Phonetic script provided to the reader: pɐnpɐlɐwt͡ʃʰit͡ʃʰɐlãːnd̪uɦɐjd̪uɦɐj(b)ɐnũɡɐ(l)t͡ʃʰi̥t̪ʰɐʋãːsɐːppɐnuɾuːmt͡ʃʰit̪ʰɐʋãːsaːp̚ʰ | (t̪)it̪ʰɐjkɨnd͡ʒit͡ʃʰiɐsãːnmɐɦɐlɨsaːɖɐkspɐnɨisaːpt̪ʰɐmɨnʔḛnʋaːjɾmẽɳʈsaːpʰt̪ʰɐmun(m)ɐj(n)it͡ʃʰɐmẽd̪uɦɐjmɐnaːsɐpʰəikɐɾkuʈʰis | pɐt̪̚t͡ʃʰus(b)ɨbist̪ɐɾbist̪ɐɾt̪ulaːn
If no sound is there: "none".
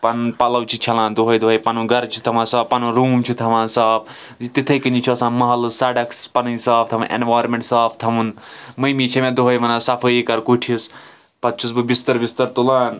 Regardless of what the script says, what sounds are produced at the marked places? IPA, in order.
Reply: p, ɾ, t̪, m, m, b

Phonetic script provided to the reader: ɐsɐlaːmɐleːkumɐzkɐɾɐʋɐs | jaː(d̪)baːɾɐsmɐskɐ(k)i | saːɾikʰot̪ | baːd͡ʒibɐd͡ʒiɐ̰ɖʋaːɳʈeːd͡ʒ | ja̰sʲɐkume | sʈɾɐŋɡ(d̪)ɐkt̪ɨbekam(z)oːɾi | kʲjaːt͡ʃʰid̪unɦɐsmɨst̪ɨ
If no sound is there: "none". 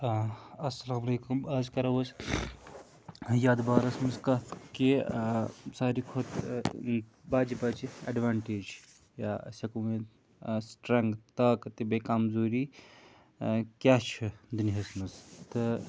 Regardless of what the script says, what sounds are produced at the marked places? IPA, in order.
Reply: d̪, k, t̪, z

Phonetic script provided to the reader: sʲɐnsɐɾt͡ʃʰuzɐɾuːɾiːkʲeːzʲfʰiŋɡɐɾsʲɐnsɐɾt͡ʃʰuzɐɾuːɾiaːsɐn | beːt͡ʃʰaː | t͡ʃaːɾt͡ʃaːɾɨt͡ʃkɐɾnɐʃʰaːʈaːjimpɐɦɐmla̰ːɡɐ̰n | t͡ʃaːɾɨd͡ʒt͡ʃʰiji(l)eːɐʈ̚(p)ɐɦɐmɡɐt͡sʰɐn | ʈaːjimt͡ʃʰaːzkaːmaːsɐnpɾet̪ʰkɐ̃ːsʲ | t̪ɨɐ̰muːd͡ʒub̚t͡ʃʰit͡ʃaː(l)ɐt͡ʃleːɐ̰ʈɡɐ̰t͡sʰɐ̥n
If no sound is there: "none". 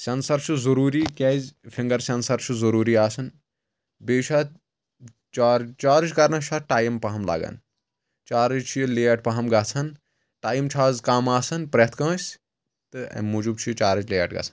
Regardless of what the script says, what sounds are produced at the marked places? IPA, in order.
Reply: l, p, ɾ

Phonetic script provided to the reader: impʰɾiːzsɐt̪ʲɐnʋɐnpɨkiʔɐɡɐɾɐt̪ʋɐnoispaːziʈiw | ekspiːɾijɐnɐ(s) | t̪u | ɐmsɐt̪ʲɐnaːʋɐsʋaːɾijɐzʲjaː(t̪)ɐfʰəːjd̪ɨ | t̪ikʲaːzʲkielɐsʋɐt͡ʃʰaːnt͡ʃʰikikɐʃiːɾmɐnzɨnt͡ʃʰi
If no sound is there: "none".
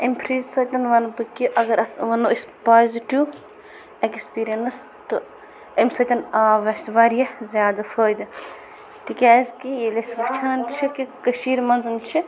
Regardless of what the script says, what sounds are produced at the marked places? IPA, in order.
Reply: s, d̪

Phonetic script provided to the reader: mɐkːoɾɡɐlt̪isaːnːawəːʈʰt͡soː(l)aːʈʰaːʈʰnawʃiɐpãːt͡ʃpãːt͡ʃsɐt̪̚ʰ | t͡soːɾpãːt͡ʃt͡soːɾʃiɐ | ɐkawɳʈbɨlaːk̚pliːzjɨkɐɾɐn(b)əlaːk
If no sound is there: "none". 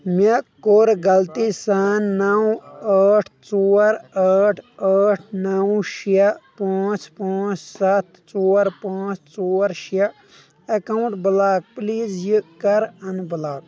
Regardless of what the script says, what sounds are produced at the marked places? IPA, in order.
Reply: ɾ, b

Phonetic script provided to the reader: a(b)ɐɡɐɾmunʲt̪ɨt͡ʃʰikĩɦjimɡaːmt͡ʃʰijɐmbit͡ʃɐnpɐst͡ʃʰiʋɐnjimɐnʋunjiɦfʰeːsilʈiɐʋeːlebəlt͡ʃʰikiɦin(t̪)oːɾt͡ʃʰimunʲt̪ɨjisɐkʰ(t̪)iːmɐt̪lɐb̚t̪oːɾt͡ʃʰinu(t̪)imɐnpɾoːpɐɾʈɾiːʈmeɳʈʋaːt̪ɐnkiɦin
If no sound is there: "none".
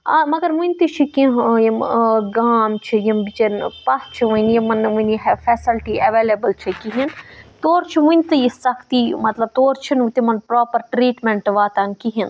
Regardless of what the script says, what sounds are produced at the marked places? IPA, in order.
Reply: m, t̪, t̪, t̪

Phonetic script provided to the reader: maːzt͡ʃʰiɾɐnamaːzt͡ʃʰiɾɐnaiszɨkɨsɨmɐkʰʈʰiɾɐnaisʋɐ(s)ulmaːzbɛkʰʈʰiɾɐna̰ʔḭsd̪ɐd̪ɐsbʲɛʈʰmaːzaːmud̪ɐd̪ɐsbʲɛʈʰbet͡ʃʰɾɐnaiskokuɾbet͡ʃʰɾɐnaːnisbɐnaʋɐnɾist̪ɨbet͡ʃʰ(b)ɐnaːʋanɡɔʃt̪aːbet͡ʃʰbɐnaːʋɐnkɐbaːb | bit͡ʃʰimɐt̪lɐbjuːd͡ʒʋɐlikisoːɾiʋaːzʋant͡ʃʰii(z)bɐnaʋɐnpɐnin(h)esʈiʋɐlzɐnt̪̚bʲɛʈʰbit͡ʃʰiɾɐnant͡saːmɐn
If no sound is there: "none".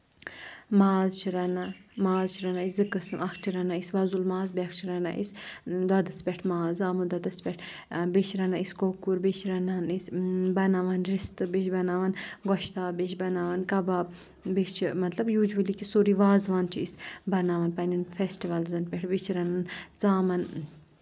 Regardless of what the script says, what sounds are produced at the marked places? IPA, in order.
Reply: z, b, s, f

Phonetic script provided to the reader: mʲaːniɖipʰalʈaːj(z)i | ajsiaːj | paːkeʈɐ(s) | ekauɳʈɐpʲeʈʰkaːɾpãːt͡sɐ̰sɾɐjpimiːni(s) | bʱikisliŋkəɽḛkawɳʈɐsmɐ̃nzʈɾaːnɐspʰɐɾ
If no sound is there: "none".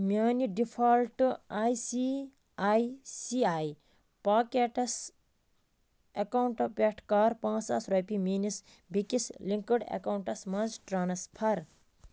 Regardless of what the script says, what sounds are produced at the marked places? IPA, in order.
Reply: s, s, s

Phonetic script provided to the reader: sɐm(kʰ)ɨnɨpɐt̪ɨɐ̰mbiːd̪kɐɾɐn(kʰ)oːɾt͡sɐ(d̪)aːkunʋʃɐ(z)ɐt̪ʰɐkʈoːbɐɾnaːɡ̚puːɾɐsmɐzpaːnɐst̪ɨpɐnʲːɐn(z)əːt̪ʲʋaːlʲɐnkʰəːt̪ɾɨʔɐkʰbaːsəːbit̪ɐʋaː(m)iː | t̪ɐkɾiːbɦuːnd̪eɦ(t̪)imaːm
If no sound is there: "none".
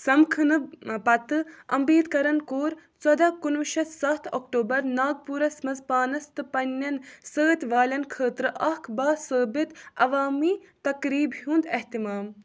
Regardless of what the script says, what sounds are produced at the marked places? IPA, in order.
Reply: kʰ, k, d̪, s, s, m, t̪

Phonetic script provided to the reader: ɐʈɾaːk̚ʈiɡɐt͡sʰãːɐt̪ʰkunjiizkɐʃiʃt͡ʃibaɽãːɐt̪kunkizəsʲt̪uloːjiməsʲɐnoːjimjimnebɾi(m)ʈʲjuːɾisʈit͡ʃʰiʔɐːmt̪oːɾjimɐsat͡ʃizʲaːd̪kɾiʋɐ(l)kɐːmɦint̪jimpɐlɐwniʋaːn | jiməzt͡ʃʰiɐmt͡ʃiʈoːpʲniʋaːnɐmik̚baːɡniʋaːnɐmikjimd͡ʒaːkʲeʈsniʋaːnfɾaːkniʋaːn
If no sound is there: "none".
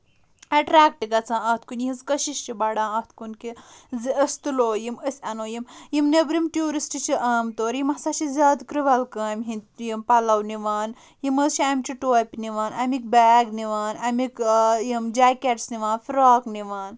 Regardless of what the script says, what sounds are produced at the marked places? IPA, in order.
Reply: m, l

